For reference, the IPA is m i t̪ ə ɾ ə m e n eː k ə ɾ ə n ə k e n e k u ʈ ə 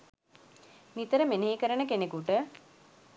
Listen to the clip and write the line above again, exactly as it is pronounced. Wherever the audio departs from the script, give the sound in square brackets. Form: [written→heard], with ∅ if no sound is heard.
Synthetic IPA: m i t̪ ə ɾ ə m e n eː k ə ɾ ə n ə k e n e k u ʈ ə